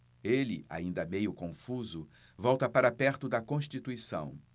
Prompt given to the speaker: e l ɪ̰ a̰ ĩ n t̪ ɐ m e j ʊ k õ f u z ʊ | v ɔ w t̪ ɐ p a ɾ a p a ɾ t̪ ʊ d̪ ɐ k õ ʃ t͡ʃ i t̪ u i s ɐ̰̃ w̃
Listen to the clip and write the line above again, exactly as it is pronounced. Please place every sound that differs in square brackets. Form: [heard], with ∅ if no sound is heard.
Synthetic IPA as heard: e l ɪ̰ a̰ ĩ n [d̪] ɐ m e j ʊ k õ f u z ʊ | v ɔ w t̪ ɐ p a ɾ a p [ɛ] ɾ t̪ ʊ d̪ ɐ k õ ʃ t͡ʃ i t̪ u i s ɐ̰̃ w̃